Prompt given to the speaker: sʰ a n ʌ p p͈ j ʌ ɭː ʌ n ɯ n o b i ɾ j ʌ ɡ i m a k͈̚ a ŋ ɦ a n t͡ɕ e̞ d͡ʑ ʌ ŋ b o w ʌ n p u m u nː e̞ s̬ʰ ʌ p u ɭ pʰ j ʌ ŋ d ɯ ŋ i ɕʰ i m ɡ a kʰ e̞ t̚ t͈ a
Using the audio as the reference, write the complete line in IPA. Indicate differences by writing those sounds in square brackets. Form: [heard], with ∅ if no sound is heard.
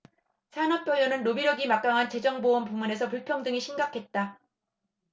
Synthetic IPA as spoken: sʰ a n ʌ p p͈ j ʌ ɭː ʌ n ɯ [nː] o b i ɾ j ʌ ɡ i m a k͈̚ a ŋ ɦ a n t͡ɕ e̞ d͡ʑ ʌ ŋ b o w ʌ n p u m u [n] e̞ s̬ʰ ʌ p u ɭ pʰ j ʌ ŋ d ɯ ŋ i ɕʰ i m ɡ a kʰ e̞ t̚ t͈ a